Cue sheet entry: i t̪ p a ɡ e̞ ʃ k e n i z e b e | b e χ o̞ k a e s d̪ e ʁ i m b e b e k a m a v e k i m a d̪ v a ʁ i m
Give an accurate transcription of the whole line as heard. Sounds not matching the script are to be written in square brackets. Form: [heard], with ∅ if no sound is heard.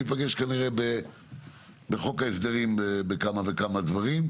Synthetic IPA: i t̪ p a ɡ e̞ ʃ k [a] n i [ʁ] e b e | b e χ o̞ k a e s d̪ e ʁ i m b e b e k a m a v e k [a] m a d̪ v a ʁ i m

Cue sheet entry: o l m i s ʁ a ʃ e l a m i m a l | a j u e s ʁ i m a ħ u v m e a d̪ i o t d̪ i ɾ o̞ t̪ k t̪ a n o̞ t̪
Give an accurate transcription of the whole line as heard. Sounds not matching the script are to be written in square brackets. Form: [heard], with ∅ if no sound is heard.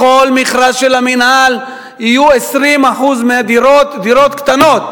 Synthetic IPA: o l m i [χ] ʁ a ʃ e l a m i [n] a l | [i] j u e s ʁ i m a ħ u [z] m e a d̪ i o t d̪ i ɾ o̞ t̪ k t̪ a n o̞ t̪

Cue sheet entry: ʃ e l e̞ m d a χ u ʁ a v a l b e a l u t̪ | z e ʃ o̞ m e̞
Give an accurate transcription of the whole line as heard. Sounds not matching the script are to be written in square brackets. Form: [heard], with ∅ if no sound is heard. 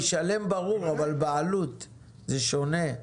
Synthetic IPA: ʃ [a] l e̞ m [b] a [ʁ] u ʁ a v a l b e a l u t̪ | z e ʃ o̞ [n] e̞

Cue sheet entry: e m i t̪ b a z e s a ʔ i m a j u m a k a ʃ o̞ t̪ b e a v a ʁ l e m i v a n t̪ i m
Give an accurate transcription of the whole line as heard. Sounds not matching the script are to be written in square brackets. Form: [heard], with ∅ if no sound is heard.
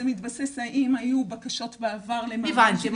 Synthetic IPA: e m i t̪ b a [s] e s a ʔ i m a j u [b] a k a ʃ o̞ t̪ b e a v a ʁ l e m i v a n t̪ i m

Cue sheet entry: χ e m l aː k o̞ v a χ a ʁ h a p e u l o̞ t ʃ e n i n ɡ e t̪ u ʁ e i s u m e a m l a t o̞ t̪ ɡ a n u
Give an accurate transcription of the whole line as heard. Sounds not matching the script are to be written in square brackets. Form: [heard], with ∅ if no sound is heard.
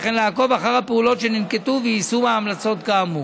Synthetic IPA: χ e [n] l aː k o̞ v a χ a ʁ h a p e u l o̞ t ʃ e n i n [k] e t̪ u [v] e i s u m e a m l a [t͡s] o̞ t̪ ɡ a [m] u

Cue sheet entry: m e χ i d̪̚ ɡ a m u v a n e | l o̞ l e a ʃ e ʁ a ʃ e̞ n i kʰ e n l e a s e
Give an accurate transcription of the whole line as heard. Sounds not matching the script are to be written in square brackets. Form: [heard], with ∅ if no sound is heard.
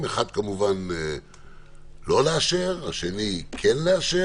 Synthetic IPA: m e χ [a] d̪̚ [k] a m u v a n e | l o̞ l e a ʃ e ʁ a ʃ e̞ n i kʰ e n l e a [ʃ] e

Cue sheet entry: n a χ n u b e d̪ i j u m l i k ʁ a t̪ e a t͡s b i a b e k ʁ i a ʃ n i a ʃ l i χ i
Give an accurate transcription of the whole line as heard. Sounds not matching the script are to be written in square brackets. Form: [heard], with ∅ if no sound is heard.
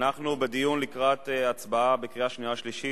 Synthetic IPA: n a χ n u b e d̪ i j u [n] l i k ʁ a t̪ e a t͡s b [a] a b e k ʁ i a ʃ n i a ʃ l i [ʃ] i

